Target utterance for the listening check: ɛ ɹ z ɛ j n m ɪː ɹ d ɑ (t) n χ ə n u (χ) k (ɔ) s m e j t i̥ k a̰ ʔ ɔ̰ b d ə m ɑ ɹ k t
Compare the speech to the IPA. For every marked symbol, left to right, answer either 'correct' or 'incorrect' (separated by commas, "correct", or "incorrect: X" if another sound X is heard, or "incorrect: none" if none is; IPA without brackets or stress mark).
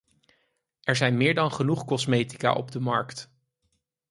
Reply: incorrect: none, correct, correct